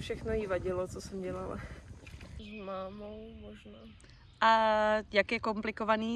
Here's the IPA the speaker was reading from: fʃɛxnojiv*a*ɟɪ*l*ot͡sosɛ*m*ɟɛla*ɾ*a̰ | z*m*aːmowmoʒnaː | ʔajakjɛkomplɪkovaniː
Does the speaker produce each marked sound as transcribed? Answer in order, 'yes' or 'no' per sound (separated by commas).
yes, yes, yes, no, yes